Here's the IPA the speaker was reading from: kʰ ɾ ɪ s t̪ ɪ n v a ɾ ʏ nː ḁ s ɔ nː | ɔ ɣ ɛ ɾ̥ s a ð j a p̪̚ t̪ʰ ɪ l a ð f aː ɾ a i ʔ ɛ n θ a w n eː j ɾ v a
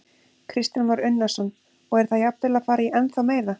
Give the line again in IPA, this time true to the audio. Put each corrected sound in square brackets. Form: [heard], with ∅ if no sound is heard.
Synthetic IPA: kʰ ɾ ɪ s t̪ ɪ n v a ɾ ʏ nː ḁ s ɔ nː | ɔ ɣ ɛ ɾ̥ [θ] a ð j a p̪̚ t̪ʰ ɪ l a ð f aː ɾ a i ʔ ɛ n θ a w [m] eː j ɾ [ð] a